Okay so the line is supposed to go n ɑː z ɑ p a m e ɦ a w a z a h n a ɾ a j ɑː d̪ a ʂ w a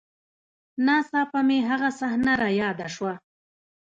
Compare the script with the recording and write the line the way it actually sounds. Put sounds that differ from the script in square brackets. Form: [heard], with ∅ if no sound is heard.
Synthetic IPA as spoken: n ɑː [s] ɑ p a m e ɦ a [ɣ] a [s] a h n a ɾ a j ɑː d̪ a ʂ w a

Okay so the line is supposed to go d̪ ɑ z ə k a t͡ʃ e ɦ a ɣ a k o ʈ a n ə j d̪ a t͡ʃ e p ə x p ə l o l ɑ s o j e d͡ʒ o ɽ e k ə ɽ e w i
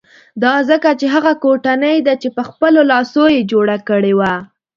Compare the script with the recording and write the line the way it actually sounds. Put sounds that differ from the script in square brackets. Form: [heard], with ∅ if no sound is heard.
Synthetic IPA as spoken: d̪ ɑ z ə k a t͡ʃ e ɦ a ɣ a k o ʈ a n ə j d̪ a t͡ʃ e p ə x p ə l o l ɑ s o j e d͡ʒ o ɽ [a] k ə ɽ e w [a]

